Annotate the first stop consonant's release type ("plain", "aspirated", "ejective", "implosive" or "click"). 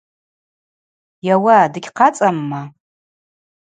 plain